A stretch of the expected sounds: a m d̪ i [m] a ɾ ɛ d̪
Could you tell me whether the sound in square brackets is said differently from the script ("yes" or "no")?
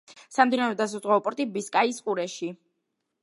yes